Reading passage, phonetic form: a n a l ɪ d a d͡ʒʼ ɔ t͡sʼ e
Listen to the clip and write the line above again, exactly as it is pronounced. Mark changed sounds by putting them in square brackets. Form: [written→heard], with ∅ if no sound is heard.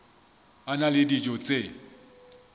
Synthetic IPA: a n a l ɪ d [a→i] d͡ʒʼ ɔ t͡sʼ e